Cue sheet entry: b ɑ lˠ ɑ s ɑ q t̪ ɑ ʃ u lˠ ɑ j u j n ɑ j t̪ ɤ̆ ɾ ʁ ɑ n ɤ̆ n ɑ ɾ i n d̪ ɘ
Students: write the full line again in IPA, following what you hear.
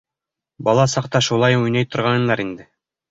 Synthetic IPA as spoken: b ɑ lˠ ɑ s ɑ q t̪ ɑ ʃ u lˠ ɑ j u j n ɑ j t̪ ŏ ɾ ʁ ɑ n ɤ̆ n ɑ ɾ i n d̪ ɘ